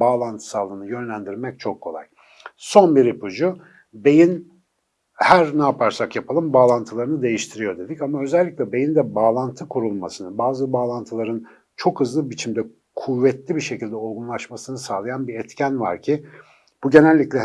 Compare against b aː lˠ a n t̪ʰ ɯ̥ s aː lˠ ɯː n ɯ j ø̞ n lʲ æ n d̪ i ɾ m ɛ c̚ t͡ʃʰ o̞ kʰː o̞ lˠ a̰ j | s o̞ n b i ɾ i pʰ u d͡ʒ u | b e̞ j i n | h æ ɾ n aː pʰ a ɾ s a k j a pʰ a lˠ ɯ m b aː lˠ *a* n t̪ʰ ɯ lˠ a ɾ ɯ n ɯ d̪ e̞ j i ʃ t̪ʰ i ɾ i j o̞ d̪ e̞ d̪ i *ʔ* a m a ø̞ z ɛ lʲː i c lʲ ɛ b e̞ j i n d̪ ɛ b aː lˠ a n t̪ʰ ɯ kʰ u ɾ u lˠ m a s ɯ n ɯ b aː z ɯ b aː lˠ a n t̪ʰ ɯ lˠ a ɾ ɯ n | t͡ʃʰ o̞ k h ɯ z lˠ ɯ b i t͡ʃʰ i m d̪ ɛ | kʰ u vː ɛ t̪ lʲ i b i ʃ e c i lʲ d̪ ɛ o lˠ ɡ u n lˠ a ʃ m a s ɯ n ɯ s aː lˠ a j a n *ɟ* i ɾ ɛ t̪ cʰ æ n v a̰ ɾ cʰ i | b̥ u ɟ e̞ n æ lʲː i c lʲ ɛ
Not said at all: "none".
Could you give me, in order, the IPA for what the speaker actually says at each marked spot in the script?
a, c, b

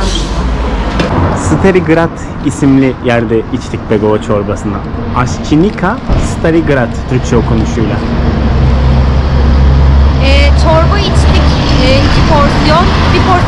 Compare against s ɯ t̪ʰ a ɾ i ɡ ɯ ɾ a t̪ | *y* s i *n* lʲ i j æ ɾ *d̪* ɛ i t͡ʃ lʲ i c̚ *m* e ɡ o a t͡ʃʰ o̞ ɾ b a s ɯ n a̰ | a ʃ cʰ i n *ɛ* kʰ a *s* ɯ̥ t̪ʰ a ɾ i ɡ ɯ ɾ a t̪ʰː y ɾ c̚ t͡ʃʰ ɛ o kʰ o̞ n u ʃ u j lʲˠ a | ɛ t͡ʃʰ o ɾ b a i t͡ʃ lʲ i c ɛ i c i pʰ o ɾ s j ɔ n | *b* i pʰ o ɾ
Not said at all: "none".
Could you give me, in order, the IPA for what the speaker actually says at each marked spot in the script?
i, m, d̪, b, i, s, b

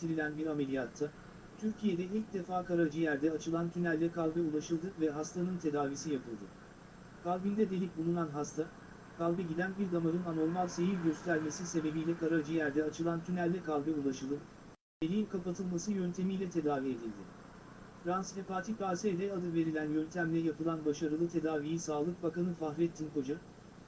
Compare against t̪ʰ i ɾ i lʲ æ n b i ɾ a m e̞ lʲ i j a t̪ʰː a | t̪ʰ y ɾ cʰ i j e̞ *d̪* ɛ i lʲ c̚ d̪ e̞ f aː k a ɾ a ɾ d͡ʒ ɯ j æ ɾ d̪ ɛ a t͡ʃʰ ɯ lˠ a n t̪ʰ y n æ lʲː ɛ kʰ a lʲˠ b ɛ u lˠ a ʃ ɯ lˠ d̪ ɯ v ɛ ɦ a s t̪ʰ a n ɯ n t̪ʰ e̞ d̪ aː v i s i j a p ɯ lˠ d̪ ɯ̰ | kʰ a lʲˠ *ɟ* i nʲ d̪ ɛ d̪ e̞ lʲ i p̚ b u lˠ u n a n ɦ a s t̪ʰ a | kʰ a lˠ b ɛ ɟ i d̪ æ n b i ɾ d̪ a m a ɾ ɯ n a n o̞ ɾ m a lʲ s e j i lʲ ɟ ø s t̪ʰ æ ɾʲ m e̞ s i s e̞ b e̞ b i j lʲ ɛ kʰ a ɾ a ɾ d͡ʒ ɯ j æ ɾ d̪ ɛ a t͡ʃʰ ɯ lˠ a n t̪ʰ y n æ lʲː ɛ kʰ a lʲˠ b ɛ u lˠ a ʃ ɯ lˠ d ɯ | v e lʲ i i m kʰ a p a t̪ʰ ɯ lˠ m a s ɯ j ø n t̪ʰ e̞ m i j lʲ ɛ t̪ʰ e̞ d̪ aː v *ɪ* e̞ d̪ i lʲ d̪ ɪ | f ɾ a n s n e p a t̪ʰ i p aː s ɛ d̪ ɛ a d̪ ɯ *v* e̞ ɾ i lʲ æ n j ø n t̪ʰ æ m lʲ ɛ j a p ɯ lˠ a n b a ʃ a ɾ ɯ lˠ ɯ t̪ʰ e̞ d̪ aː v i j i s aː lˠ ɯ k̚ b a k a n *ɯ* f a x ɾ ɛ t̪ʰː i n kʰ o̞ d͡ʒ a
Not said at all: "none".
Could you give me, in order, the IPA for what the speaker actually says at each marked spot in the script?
d̪, b, i, v, ɯ

